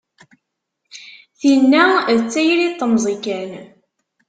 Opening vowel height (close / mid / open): close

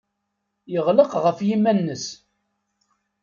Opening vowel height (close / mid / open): mid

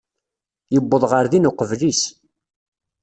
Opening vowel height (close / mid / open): mid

